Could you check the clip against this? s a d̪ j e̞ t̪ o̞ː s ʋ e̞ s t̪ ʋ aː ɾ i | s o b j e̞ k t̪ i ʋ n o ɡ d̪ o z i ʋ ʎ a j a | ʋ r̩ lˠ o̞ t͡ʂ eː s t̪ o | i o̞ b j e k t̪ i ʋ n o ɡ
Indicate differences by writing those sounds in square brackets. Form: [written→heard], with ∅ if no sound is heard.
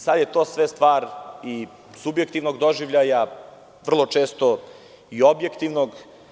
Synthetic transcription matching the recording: s a d̪ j e̞ t̪ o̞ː s ʋ e̞ s t̪ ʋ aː ɾ i | s [o→u] b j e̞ k t̪ i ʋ n o ɡ d̪ o [z→ʒ] i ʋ ʎ a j a | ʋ r̩ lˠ o̞ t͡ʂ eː s t̪ o | i o̞ b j e k t̪ i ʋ n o ɡ